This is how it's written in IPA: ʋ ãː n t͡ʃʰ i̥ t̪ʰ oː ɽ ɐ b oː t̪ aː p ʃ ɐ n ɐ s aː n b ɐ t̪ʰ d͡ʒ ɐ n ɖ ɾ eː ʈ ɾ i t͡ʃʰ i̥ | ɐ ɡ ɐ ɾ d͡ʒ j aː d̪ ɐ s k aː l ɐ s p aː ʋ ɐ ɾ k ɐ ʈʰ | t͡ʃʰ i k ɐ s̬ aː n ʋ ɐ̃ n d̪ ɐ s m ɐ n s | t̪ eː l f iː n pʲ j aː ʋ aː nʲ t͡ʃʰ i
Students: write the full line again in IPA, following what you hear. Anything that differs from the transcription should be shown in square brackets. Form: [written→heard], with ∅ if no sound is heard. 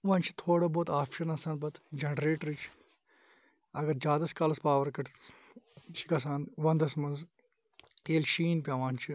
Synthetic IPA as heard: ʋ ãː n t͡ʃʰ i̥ t̪ʰ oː ɽ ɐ b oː t̪ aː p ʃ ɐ n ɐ s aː n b ɐ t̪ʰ d͡ʒ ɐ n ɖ ɾ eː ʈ ɾ i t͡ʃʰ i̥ | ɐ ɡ ɐ ɾ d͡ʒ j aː d̪ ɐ s k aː l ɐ s p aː ʋ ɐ ɾ k ɐ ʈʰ | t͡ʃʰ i k ɐ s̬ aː n ʋ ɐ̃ n d̪ ɐ s m ɐ n [s→z] | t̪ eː l [f→ʃ] iː n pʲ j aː ʋ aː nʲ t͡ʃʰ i

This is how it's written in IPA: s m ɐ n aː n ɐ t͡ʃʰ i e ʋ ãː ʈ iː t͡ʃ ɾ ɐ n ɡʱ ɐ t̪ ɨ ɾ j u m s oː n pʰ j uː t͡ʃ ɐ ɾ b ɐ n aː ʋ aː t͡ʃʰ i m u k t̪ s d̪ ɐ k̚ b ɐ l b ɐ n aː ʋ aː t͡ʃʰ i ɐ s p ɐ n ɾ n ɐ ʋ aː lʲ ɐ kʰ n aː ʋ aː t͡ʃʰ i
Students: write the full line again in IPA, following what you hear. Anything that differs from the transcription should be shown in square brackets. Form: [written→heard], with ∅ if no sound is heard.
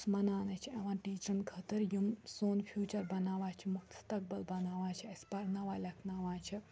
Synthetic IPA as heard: s m ɐ n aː n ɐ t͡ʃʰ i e ʋ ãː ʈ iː t͡ʃ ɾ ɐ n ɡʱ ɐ t̪ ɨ ɾ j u m s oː n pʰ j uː t͡ʃ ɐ ɾ b ɐ n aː ʋ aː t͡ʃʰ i m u k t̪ s [d̪→t̪] ɐ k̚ b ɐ l b ɐ n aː ʋ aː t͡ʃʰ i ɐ s p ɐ [n→∅] ɾ n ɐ ʋ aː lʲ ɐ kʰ n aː ʋ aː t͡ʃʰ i

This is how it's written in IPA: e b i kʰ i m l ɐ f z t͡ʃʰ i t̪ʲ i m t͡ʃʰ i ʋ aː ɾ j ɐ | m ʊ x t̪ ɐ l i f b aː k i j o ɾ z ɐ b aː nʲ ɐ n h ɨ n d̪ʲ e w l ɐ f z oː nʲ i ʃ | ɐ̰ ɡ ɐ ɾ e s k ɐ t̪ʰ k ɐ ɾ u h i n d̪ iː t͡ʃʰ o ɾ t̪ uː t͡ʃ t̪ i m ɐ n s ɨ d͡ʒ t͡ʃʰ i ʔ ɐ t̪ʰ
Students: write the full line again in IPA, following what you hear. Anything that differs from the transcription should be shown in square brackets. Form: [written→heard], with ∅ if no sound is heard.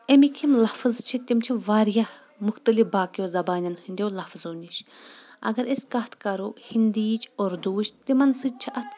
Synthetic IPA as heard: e [b→m] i kʰ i m l ɐ f z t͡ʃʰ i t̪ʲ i m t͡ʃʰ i ʋ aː ɾ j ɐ | m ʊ x t̪ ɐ l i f b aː k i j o [ɾ→∅] z ɐ b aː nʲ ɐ n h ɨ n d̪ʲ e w l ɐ f z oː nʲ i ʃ | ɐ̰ ɡ ɐ ɾ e s k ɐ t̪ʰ k ɐ ɾ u h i n d̪ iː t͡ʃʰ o ɾ [t̪→d̪] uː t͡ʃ t̪ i m ɐ n s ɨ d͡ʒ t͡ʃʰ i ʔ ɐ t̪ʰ

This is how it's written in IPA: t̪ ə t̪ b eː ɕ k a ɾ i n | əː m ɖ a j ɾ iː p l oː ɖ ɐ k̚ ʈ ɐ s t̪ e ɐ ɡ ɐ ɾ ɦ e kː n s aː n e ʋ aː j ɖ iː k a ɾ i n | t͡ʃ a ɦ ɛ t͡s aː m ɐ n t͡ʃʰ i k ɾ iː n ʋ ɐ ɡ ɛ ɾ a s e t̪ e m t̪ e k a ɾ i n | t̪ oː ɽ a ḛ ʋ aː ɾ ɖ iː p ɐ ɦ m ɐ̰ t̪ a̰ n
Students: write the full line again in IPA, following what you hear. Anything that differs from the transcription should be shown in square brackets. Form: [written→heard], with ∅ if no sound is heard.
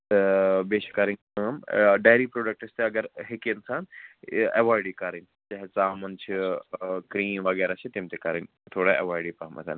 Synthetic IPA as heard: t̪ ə [t̪→∅] b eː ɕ k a ɾ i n | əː m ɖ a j ɾ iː p [l→ɾ] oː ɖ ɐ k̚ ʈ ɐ s t̪ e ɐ ɡ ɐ ɾ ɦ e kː n s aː n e ʋ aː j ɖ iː k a ɾ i n | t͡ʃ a ɦ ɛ t͡s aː m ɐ n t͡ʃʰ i k ɾ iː n ʋ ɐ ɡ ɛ ɾ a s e t̪ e m t̪ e k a ɾ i n | [t̪→t̪ʰ] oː ɽ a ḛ ʋ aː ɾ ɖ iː p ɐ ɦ m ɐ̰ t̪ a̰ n

